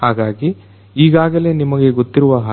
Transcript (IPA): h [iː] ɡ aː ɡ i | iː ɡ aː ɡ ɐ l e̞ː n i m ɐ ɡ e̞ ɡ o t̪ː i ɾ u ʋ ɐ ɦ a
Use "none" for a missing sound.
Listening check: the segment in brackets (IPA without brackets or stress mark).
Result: aː